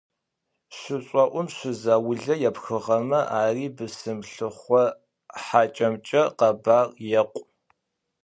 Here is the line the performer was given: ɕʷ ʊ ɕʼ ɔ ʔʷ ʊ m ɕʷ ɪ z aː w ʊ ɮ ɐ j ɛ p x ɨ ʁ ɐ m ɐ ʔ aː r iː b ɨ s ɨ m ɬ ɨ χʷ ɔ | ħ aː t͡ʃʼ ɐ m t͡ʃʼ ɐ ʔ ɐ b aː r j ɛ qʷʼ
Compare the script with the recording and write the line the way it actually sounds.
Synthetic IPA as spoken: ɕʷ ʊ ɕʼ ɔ ʔʷ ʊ m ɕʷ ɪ z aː w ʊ ɮ ɐ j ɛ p x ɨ ʁ ɐ m ɐ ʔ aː r iː b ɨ s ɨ m ɬ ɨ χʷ ɔ | ħ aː t͡ʃʼ ɐ m t͡ʃʼ ɐ q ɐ b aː r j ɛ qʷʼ